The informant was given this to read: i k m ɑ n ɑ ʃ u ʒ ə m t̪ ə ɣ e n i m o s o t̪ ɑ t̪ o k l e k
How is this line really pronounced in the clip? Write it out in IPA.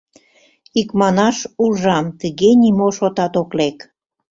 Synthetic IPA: i k m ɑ n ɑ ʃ u ʒ ɑ m t̪ ə ɣ e n i m o ʃ o t̪ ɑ t̪ o k l e k